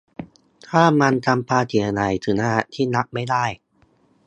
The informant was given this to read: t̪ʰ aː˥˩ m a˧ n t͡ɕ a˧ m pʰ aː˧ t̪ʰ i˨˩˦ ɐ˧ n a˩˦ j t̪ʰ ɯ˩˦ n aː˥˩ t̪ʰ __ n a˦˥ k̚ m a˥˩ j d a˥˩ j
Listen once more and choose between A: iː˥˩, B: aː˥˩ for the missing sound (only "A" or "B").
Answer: A